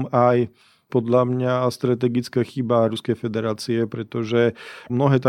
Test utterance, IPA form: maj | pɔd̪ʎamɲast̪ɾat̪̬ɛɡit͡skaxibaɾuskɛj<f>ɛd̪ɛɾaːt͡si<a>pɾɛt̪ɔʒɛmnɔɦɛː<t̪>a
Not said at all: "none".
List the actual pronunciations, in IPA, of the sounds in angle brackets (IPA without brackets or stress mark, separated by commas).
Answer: f, ɛ, t̪